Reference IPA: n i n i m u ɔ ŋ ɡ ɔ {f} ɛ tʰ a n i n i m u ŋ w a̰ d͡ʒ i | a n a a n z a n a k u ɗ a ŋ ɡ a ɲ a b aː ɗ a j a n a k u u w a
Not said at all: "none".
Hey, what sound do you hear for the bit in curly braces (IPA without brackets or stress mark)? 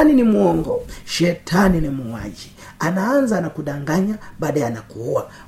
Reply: ʃ